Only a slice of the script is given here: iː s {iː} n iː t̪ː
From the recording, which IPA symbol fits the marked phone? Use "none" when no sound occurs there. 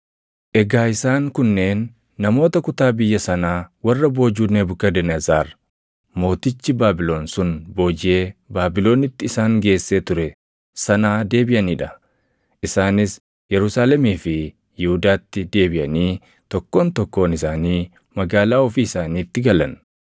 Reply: aː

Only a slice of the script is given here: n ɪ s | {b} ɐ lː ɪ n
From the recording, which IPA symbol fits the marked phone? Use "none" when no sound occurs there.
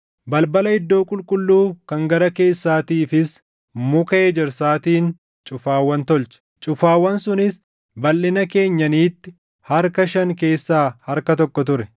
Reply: b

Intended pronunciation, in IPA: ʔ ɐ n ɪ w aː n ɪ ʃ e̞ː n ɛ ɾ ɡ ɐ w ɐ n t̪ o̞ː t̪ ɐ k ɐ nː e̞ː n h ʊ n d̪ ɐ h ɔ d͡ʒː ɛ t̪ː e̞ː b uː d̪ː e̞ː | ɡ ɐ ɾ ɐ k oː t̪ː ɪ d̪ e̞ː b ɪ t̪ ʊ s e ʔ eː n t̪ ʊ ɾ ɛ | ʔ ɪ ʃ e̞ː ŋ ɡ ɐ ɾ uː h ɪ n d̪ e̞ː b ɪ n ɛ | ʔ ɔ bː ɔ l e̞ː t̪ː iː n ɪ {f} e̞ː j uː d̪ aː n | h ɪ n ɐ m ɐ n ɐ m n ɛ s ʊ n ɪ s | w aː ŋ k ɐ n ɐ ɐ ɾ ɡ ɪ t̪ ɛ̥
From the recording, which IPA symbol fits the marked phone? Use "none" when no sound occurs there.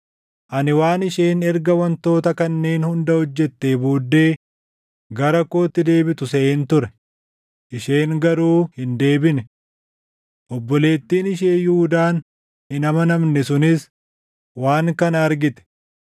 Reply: ʃ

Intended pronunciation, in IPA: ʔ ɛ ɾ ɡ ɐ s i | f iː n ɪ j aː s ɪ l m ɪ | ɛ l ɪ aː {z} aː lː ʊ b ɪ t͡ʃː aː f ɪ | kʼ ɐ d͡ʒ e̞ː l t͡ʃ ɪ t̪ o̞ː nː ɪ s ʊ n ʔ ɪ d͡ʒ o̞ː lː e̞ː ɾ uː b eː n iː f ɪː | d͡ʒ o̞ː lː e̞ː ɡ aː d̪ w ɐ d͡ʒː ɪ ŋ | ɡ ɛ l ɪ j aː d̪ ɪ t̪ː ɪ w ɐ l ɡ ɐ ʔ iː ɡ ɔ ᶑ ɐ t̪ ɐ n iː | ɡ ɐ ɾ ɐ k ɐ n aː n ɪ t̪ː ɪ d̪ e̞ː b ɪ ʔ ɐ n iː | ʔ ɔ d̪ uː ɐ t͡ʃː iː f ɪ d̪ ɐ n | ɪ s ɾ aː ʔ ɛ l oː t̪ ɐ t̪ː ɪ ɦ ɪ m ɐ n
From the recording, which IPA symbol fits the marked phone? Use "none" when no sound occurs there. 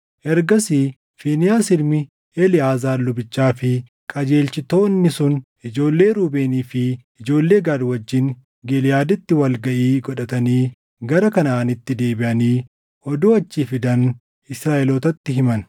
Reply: z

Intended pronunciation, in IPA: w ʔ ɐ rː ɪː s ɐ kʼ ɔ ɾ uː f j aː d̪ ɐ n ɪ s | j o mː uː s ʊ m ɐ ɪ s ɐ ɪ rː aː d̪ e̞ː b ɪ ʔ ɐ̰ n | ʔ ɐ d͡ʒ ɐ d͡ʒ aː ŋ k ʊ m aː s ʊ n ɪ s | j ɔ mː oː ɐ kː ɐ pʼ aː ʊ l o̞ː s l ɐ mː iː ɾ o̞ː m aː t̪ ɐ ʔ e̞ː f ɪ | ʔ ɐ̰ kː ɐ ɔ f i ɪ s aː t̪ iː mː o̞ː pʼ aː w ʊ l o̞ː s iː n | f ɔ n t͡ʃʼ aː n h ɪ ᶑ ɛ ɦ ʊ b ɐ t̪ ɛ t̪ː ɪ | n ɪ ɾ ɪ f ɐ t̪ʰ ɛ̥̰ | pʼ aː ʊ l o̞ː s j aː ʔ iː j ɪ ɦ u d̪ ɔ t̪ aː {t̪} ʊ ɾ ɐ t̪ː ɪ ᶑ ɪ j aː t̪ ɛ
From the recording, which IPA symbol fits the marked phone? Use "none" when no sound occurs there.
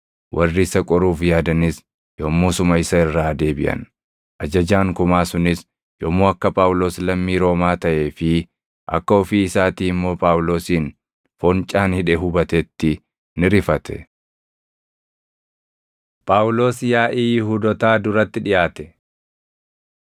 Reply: d̪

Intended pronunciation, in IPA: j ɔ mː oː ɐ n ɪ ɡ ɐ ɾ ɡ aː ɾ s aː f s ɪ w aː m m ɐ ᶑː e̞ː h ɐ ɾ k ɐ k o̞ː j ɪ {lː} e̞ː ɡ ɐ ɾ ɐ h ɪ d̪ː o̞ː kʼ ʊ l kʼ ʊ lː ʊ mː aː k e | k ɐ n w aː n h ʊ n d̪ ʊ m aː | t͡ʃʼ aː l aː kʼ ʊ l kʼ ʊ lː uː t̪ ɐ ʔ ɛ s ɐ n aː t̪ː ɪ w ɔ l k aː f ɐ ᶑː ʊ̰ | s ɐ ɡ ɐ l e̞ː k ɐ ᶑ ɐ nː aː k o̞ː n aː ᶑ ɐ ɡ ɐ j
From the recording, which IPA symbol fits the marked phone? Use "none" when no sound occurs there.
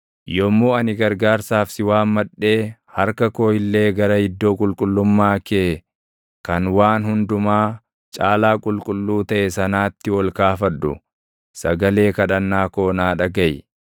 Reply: lː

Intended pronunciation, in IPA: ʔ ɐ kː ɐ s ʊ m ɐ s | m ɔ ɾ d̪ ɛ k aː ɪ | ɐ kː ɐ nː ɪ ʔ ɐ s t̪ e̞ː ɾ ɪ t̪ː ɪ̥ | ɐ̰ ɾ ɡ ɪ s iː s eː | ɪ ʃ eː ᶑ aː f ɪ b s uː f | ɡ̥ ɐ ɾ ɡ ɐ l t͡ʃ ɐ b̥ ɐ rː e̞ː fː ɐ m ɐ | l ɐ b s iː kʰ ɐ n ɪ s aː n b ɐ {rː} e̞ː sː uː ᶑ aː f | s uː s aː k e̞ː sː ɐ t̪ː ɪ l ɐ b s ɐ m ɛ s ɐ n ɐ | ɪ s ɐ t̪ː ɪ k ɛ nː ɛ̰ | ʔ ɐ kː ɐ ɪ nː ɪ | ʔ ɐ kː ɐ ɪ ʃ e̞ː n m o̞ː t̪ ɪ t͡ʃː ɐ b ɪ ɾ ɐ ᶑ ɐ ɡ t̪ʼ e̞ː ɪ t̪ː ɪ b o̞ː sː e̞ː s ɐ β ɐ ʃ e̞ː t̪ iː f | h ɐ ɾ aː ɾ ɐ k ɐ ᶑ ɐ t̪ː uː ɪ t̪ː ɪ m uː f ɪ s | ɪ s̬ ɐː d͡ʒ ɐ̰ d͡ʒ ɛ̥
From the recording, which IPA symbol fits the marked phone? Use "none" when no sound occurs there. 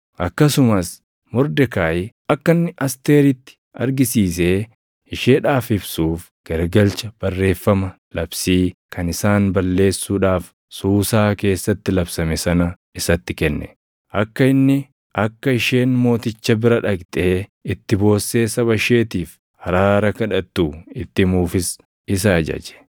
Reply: lː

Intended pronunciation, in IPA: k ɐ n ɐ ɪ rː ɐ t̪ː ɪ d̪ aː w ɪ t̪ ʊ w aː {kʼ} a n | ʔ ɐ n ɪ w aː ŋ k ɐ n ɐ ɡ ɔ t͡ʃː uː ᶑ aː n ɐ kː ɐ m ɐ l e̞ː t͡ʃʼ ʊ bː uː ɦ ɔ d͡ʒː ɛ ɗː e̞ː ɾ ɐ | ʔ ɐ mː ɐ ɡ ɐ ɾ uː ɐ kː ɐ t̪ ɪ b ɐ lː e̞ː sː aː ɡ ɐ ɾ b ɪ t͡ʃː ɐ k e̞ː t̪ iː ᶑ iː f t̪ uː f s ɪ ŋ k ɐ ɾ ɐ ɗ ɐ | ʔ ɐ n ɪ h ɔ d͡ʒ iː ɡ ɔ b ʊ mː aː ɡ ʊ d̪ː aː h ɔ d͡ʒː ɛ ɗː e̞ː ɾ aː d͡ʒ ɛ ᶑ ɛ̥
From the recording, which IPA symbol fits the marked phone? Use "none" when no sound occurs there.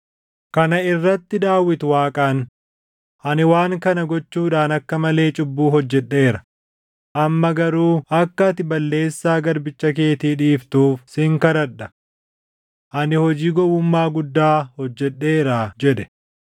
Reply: kʼ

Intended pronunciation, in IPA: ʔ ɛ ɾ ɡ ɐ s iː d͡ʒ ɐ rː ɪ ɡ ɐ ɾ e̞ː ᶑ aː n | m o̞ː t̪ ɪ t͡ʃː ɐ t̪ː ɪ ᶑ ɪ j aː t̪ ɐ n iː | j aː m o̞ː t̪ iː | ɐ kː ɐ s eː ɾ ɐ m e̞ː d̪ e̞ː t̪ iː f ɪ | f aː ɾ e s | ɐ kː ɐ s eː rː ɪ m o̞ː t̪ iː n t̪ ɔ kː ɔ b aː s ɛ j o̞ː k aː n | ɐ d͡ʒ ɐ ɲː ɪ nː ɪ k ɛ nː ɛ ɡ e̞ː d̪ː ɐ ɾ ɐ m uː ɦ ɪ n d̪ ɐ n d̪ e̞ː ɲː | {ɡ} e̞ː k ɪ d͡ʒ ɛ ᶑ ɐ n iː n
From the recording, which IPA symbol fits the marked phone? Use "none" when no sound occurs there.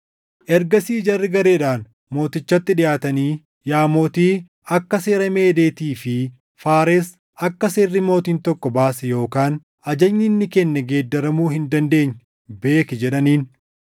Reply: b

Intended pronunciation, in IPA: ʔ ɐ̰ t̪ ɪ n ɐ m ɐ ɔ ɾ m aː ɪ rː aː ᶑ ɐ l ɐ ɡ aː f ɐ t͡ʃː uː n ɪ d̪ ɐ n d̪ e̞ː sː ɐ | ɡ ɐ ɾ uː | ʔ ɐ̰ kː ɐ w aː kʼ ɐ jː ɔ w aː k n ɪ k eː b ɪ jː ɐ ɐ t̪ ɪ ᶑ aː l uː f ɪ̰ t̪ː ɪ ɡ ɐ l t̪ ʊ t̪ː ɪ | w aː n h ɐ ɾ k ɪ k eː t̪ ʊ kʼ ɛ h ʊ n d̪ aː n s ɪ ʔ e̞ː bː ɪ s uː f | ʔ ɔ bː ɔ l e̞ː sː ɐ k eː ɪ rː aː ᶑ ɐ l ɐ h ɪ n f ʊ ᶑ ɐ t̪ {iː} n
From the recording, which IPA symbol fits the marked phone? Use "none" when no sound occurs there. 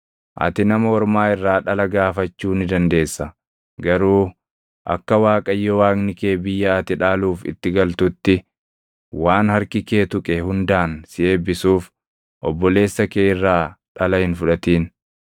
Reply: iː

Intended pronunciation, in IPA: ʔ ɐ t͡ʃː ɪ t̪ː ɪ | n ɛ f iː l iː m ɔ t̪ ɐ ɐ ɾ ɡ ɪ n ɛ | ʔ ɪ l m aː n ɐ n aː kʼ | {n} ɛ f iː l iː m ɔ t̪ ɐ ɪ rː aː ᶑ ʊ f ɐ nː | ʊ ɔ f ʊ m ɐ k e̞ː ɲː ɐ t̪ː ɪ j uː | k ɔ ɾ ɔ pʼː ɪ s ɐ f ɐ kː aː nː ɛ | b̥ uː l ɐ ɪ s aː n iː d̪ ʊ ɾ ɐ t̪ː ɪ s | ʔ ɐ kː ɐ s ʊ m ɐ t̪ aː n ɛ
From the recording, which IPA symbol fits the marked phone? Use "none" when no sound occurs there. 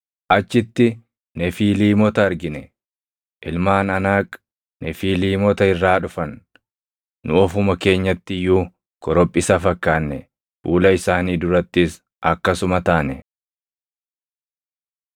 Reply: n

